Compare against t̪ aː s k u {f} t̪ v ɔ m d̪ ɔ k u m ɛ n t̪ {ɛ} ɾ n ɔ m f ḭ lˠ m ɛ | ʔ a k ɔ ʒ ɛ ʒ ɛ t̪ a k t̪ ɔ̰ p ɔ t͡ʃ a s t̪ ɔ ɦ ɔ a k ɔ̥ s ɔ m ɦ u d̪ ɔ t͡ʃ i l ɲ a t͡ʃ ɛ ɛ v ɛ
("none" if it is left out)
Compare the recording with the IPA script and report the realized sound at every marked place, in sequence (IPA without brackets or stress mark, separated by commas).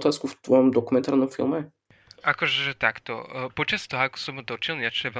f, a